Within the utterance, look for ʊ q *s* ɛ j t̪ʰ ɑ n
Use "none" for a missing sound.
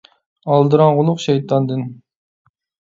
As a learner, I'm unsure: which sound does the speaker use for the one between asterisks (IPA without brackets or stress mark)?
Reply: ʃ